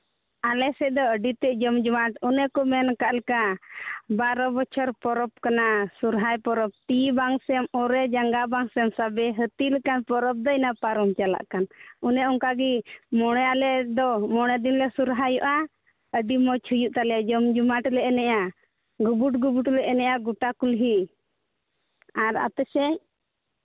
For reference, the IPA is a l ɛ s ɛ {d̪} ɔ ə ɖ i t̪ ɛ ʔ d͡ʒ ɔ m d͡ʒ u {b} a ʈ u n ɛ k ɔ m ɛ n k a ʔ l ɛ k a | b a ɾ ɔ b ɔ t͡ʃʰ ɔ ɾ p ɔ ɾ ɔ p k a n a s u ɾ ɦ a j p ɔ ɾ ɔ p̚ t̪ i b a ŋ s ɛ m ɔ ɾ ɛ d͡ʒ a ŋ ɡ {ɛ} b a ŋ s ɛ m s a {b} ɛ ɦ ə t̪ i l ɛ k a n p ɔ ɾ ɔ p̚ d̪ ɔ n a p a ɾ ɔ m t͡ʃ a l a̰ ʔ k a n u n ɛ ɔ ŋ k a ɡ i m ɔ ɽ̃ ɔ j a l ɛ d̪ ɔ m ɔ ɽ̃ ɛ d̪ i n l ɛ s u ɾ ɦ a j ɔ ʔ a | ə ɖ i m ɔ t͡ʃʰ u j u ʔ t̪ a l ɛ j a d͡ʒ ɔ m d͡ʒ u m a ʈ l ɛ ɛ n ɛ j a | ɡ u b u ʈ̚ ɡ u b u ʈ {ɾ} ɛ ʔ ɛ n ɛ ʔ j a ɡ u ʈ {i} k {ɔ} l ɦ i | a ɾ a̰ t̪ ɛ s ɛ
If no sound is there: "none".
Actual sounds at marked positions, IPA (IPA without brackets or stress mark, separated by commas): d̪, m, a, b, l, a, u